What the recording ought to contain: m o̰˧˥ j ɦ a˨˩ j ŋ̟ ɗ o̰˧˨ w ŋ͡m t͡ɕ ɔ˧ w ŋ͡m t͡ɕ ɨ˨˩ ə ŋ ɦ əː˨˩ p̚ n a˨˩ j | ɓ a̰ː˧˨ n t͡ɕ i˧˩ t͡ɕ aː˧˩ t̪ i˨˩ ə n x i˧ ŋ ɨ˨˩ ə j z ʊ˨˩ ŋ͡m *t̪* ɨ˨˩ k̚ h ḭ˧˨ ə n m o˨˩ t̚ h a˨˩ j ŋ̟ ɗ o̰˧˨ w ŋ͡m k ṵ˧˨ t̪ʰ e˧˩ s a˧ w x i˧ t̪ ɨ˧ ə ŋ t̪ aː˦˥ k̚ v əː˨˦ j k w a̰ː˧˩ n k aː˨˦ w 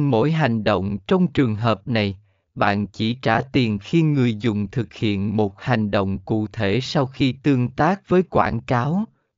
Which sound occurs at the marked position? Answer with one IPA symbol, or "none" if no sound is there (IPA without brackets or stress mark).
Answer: t̪ʰ